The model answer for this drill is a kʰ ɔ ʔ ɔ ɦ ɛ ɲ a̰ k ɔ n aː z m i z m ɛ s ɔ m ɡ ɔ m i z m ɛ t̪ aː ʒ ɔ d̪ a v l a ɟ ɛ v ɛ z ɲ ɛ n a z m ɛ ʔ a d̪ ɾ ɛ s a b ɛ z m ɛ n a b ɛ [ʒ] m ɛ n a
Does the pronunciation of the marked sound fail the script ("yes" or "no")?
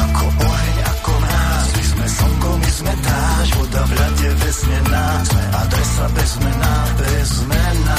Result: yes